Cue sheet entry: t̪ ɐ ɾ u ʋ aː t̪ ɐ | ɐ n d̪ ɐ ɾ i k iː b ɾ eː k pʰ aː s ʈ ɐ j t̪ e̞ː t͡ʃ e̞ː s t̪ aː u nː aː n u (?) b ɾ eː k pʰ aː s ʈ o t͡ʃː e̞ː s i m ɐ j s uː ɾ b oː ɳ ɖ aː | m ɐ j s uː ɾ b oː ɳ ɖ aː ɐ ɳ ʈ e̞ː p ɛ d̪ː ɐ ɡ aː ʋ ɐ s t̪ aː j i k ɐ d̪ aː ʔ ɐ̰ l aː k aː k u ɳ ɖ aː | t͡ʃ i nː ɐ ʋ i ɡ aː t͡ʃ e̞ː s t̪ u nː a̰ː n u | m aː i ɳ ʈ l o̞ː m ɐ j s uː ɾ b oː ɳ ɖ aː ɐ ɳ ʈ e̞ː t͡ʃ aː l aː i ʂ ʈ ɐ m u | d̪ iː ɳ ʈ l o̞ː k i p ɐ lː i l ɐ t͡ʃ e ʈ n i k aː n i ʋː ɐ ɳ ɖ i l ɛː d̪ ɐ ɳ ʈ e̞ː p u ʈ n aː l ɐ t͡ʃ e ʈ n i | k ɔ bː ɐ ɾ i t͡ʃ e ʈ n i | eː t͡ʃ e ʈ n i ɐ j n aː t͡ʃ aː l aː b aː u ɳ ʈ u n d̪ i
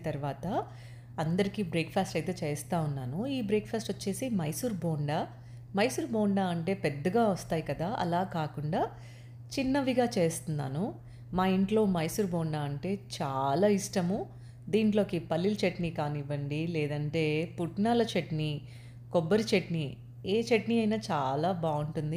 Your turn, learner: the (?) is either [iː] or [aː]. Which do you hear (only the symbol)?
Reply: iː